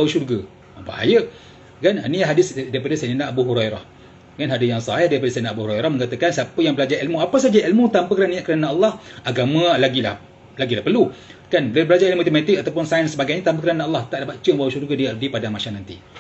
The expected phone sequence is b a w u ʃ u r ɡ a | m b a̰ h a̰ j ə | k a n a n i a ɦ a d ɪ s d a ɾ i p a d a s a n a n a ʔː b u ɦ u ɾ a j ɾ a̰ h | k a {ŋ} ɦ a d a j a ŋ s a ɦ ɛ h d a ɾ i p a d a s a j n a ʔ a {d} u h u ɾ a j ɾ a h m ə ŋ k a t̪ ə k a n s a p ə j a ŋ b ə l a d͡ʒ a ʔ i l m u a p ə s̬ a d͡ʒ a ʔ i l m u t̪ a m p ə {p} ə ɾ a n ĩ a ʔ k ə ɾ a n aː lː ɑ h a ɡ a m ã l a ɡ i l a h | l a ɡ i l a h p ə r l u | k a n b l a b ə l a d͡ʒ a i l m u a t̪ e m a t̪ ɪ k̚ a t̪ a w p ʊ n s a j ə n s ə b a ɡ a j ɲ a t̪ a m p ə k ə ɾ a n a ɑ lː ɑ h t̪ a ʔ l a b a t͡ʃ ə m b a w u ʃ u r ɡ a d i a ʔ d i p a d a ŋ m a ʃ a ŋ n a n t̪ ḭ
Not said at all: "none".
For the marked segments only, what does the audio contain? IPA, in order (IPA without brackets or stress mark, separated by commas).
n, b, k